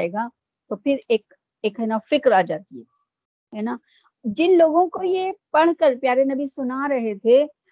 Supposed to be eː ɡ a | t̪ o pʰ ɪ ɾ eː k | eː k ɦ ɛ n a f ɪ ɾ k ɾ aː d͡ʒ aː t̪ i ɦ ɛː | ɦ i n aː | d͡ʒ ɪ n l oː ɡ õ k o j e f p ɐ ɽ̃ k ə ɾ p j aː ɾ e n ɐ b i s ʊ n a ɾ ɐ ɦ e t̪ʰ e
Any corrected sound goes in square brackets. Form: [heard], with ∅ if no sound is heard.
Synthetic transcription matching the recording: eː ɡ a | t̪ o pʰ ɪ ɾ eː k | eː k ɦ ɛ n a f ɪ [∅] k ɾ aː d͡ʒ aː t̪ i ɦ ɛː | ɦ [ɛ] n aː | d͡ʒ ɪ n l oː ɡ õ k o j e [∅] p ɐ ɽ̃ k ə ɾ p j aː ɾ e n ɐ b i s ʊ n a ɾ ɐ ɦ e t̪ʰ e